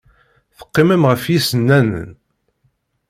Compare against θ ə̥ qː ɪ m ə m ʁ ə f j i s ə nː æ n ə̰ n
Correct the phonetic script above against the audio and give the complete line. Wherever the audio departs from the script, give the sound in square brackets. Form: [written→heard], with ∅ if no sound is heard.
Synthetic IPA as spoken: θ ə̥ qː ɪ m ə m ʁ ə f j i s ə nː æ n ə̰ n